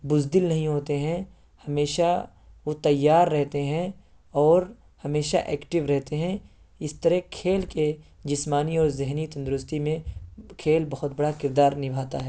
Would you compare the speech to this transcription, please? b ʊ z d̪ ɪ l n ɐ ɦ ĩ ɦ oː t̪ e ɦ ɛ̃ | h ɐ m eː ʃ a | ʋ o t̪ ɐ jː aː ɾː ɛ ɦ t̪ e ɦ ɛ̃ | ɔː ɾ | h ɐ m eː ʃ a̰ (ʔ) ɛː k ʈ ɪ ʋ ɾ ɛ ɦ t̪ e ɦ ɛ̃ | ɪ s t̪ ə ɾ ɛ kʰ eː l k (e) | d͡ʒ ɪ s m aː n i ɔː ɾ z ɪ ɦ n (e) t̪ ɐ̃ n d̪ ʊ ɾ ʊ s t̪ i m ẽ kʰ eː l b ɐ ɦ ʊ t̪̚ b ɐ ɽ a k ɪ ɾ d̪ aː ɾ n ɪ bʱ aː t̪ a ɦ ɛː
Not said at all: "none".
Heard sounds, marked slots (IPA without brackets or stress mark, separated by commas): ʔ, e, i